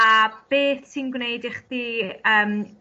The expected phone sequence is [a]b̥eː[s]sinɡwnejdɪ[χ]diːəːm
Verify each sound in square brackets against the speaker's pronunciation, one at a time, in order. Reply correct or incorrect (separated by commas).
correct, incorrect, correct